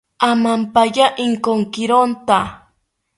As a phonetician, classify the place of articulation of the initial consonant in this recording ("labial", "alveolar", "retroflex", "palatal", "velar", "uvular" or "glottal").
labial